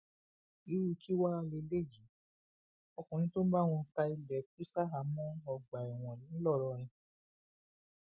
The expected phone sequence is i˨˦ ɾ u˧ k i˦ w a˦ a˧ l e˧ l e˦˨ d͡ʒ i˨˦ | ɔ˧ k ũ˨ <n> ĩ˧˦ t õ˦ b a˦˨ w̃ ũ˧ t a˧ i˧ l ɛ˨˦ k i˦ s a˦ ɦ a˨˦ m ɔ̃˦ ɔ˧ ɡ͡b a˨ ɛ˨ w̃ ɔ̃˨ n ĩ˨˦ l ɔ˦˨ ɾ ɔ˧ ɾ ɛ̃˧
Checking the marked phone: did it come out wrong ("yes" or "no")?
no